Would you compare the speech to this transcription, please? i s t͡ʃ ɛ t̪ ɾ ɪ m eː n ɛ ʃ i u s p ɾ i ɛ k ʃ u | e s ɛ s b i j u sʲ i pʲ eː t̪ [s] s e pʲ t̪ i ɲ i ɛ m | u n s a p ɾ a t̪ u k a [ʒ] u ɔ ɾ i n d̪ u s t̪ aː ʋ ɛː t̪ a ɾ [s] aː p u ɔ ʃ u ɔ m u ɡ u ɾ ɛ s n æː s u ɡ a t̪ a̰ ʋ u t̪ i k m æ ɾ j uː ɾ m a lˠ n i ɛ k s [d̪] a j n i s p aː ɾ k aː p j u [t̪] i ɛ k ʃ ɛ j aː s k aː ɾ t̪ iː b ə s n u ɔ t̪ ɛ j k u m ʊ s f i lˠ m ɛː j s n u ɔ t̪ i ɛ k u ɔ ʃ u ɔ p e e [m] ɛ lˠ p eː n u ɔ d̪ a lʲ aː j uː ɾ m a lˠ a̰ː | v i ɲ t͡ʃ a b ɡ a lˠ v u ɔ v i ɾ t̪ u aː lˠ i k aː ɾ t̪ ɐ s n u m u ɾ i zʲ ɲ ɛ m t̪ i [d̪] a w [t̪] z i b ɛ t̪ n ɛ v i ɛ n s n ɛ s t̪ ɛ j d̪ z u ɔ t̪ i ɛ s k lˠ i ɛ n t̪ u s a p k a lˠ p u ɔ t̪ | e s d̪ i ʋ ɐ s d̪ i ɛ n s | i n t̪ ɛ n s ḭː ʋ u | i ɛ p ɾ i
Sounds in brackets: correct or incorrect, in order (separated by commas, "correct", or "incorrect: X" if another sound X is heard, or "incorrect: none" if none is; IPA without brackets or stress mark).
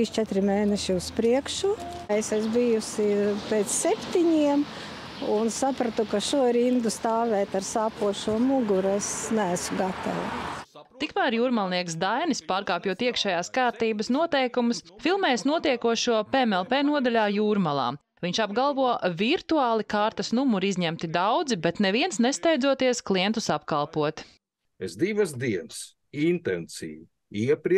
correct, incorrect: ʃ, correct, correct, correct, correct, correct, incorrect: d̪